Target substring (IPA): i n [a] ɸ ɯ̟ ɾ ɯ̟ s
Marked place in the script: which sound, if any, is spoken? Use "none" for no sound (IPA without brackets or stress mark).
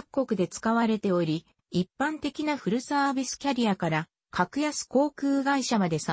a